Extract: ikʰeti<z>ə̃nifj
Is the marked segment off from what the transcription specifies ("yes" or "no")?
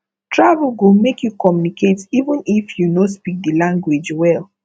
yes